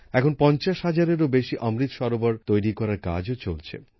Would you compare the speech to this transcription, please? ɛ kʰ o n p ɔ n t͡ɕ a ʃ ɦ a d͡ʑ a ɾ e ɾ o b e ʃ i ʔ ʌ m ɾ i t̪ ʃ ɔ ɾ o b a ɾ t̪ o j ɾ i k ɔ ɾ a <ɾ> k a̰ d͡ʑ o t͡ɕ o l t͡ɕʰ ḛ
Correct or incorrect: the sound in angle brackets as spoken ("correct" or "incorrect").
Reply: correct